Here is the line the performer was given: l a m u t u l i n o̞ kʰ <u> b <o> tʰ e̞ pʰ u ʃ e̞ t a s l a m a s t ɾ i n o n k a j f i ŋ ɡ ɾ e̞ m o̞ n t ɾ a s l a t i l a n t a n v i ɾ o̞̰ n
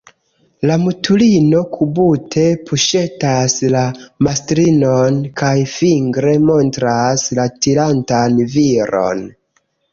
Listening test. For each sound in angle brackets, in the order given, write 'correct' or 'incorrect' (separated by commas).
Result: correct, incorrect